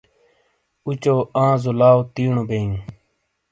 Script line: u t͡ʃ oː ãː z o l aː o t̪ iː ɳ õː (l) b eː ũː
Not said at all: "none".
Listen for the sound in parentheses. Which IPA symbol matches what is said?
none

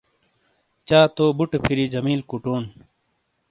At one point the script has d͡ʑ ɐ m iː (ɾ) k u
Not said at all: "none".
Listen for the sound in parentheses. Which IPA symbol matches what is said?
l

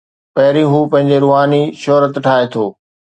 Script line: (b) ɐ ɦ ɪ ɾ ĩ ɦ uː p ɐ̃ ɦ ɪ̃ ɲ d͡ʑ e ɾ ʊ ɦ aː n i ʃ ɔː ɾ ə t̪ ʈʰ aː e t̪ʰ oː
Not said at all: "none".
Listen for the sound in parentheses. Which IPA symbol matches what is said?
p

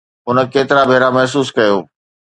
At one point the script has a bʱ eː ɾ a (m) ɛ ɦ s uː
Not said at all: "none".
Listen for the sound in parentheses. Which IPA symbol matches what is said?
m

